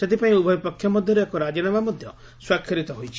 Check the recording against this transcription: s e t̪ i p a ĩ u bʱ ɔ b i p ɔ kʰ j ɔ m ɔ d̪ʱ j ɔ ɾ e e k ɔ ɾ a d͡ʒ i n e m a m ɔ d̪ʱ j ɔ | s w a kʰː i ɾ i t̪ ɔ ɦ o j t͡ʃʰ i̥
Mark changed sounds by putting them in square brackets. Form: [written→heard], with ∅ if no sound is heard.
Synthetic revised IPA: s e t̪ i p a ĩ u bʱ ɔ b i p ɔ kʰ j ɔ m ɔ d̪ʱ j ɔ ɾ e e k ɔ ɾ a d͡ʒ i n [e→a] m a m ɔ d̪ʱ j ɔ | s w a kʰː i ɾ i t̪ ɔ ɦ o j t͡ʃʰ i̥

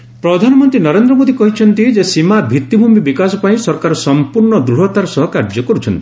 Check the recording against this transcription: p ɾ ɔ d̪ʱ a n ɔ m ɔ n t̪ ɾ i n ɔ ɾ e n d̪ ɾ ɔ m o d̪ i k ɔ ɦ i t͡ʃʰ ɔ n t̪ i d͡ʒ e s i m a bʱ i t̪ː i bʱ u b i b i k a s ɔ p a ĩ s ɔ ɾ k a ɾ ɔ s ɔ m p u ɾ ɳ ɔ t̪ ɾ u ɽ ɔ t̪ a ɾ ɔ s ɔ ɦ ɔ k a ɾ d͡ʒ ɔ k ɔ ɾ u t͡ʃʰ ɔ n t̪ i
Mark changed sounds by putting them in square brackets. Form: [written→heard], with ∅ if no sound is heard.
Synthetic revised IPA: p ɾ ɔ d̪ʱ a n ɔ m ɔ n t̪ ɾ i n ɔ ɾ e n d̪ ɾ ɔ m o d̪ i k ɔ ɦ i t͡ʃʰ ɔ n t̪ i d͡ʒ e s i m a bʱ i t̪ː i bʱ u [b→m] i b i k a s ɔ p a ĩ s ɔ ɾ k a ɾ ɔ s ɔ m p u ɾ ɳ ɔ [t̪→d̪] ɾ u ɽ ɔ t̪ a ɾ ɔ s ɔ ɦ ɔ k a ɾ d͡ʒ ɔ k ɔ ɾ u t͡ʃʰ ɔ n t̪ i

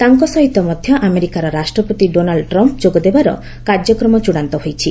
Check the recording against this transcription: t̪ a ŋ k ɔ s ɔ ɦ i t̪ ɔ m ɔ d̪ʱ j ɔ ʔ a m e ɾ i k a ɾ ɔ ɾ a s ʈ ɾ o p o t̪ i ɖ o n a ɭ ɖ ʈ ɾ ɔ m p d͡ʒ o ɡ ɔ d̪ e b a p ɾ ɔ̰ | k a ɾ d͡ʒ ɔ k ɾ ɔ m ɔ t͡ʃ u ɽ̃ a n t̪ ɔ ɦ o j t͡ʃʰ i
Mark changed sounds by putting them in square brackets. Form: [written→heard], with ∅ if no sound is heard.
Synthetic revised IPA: t̪ a ŋ k ɔ s ɔ ɦ i t̪ ɔ m ɔ d̪ʱ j ɔ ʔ a m e ɾ i k a ɾ ɔ ɾ a s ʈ ɾ [o→ɔ] p o t̪ i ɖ o n a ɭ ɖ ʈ ɾ ɔ m p d͡ʒ o ɡ ɔ d̪ e b a [p→∅] ɾ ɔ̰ | k a ɾ d͡ʒ ɔ k ɾ ɔ m ɔ t͡ʃ u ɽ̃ a n t̪ ɔ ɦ o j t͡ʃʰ i

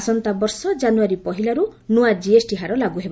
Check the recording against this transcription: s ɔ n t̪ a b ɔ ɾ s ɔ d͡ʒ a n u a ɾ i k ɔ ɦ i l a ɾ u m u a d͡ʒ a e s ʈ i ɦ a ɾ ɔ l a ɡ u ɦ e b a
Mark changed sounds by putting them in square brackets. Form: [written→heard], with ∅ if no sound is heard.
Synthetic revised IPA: s ɔ n t̪ a b ɔ ɾ s ɔ d͡ʒ a n u a ɾ i [k→p] ɔ ɦ i l a ɾ u [m→n] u a d͡ʒ [a→i] e s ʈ i ɦ a ɾ ɔ l a ɡ u ɦ e b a

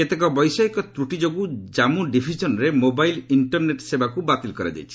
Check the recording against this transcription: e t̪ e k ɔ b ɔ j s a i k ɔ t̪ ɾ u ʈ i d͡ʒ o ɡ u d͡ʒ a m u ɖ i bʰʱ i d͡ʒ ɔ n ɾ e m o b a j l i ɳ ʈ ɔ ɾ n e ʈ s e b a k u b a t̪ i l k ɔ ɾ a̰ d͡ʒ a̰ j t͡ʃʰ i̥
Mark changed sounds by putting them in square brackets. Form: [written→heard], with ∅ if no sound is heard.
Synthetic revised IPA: e t̪ e k ɔ b ɔ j s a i k ɔ t̪ ɾ u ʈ i d͡ʒ o ɡ u d͡ʒ a m u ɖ i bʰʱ i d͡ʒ ɔ n ɾ e m o b a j l i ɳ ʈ ɔ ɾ n e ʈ s e b a k u b a t̪ i l k ɔ ɾ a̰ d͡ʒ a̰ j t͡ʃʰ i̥

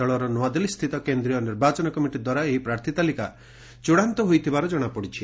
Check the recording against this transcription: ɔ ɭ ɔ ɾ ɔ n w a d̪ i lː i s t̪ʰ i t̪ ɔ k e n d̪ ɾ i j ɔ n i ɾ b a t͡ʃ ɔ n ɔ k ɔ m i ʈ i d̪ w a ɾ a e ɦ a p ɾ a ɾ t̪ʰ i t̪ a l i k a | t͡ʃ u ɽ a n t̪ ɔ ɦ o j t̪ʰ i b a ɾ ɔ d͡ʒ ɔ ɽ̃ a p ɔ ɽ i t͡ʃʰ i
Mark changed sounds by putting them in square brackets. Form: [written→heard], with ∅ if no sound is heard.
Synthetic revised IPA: ɔ ɭ ɔ ɾ ɔ n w a d̪ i [lː→l] i s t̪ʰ i t̪ ɔ k e n d̪ ɾ i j ɔ n i ɾ b a t͡ʃ ɔ n ɔ k ɔ m i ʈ i d̪ w a ɾ a e ɦ [a→i] p ɾ a ɾ t̪ʰ i t̪ a l i k a | t͡ʃ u ɽ a n t̪ ɔ ɦ o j t̪ʰ i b a ɾ ɔ d͡ʒ ɔ ɽ̃ a p ɔ ɽ i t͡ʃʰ i

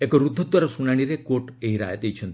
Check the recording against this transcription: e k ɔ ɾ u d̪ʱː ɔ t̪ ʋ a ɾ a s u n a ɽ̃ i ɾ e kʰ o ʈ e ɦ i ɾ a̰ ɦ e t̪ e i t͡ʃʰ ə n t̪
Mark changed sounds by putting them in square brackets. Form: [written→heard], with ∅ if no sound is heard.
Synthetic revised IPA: e k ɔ ɾ u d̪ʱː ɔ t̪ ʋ a ɾ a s u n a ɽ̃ i ɾ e [kʰ→k] o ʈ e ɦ i ɾ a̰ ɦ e t̪ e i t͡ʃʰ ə n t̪

